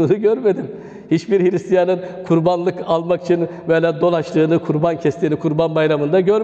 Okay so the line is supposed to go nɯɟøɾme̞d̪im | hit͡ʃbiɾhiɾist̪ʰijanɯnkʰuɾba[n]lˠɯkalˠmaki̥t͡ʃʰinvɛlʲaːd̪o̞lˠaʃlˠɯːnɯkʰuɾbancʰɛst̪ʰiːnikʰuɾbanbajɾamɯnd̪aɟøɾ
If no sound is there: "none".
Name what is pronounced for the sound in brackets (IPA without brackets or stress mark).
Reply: n